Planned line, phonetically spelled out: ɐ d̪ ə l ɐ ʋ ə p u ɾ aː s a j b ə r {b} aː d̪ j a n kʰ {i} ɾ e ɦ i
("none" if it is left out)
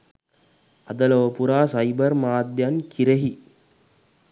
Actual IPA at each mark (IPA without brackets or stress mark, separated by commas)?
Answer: m, i